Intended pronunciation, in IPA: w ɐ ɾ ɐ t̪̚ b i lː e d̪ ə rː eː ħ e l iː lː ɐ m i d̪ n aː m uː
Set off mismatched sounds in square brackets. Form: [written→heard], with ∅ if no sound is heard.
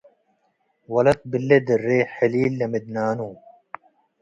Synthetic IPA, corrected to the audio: w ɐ [ɾ→l] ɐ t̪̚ b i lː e d̪ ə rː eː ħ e l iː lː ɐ m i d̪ n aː [m→n] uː